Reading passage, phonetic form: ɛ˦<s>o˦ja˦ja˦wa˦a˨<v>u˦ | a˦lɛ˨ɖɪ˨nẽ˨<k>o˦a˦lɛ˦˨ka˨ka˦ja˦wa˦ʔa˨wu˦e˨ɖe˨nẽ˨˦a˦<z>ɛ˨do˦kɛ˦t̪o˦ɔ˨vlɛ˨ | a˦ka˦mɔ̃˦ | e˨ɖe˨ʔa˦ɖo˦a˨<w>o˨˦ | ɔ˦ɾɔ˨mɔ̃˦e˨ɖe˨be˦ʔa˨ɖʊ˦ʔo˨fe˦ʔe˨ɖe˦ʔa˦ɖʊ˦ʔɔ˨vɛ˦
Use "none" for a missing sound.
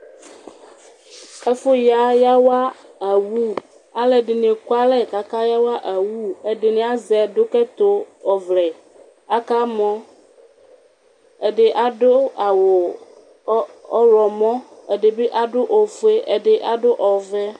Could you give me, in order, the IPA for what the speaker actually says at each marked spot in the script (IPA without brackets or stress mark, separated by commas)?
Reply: f, w, k, z, w